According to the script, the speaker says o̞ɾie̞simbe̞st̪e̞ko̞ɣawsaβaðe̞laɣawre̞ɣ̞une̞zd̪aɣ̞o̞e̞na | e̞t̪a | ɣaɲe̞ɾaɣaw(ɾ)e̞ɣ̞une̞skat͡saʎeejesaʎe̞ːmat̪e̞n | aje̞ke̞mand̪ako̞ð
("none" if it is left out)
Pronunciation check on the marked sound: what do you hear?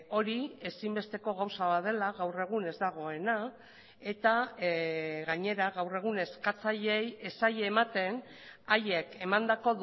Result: r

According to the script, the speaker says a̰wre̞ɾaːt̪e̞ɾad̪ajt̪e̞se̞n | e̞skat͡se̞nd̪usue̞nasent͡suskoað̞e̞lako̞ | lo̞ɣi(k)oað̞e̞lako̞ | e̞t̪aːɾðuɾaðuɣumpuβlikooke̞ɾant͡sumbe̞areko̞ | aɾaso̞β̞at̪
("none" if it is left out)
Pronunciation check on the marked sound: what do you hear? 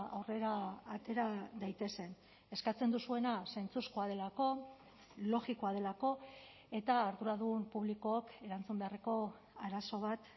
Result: k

